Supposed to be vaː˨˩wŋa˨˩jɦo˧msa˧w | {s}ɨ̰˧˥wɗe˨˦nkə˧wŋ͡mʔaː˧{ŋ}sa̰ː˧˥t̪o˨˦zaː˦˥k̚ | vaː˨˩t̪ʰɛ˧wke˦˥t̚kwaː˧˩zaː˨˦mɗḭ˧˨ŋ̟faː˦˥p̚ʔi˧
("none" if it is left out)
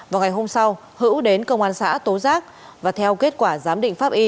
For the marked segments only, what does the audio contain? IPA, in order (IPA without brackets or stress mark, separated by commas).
h, n